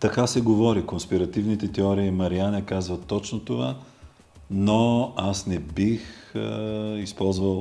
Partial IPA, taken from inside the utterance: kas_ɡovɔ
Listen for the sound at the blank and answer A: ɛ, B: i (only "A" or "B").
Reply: A